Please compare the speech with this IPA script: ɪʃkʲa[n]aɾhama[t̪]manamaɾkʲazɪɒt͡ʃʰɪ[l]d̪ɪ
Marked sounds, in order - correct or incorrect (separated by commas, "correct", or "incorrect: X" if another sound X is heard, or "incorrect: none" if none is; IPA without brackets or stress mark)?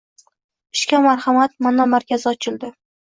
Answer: incorrect: m, correct, correct